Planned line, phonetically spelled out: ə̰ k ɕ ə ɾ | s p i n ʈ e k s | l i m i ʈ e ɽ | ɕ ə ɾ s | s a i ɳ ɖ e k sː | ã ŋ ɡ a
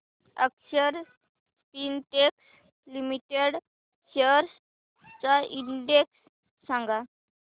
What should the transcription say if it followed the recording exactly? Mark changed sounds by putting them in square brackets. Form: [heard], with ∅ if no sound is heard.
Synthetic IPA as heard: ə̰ k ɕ ə ɾ | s p i n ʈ e k s | l i m i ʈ e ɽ | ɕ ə ɾ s | [t͡s] a i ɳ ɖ e k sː | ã ŋ ɡ a